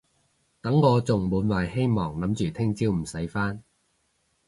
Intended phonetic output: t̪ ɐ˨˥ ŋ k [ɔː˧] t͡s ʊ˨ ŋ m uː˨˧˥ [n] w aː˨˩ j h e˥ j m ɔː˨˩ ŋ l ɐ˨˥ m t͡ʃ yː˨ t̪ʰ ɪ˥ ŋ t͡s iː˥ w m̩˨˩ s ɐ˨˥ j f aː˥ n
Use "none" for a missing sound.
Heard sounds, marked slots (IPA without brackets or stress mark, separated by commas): ɔː˧, n